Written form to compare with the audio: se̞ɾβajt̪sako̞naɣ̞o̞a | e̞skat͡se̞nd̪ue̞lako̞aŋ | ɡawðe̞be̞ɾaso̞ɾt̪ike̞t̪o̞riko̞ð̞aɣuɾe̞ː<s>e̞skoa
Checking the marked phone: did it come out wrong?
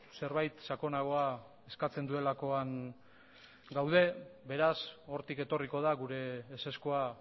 no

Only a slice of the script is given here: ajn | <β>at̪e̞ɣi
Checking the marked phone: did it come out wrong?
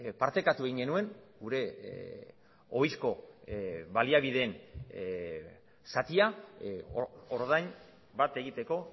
yes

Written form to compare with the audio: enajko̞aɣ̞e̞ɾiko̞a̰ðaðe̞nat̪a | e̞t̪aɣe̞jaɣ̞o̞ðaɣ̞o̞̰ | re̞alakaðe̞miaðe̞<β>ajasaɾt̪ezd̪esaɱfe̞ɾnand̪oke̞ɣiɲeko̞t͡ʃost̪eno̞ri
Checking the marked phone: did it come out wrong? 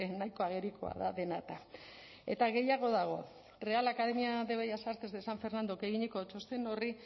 no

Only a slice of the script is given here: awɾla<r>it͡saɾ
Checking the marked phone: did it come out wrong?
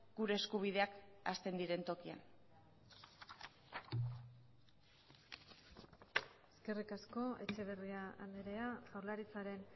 yes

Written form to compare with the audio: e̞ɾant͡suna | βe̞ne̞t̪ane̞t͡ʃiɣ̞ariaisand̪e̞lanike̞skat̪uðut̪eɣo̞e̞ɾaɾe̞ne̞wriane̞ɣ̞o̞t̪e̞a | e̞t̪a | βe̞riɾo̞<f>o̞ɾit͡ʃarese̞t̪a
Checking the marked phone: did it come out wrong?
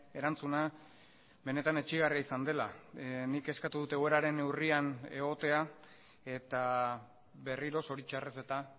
yes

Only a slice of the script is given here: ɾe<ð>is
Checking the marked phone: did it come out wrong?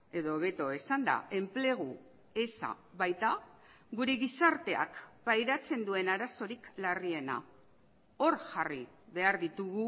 yes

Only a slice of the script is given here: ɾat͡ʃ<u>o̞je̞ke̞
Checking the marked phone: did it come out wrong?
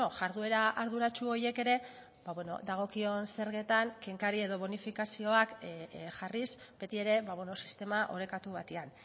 no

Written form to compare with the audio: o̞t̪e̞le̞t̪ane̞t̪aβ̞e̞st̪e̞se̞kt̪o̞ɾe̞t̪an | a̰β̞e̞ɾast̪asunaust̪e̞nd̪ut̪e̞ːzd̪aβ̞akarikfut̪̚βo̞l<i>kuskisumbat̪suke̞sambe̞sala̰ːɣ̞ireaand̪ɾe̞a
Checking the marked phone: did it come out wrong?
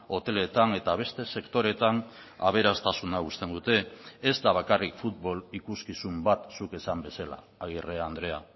no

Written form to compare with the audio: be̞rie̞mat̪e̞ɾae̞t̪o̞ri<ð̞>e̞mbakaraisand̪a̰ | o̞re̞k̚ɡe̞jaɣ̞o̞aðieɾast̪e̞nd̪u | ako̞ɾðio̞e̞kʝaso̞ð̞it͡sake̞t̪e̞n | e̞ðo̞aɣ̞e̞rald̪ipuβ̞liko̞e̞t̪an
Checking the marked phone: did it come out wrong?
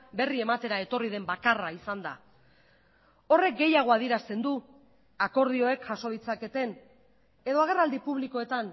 no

